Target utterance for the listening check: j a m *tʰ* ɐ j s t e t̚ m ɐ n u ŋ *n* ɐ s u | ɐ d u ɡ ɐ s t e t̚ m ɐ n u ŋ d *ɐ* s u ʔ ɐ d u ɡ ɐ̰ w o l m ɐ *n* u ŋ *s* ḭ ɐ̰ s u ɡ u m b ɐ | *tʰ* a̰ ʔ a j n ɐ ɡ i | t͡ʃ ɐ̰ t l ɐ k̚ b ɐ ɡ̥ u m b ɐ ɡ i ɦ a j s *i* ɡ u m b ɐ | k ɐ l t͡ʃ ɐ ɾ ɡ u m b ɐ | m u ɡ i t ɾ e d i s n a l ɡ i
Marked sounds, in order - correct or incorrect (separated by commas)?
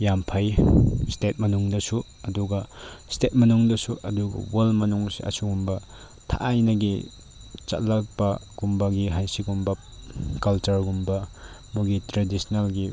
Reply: incorrect, incorrect, correct, correct, correct, correct, correct